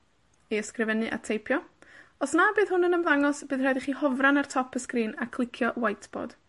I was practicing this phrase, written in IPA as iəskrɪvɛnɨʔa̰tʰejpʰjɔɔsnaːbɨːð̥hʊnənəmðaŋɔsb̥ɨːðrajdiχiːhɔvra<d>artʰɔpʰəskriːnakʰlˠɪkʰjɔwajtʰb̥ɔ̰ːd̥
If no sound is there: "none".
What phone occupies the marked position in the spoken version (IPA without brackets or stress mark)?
n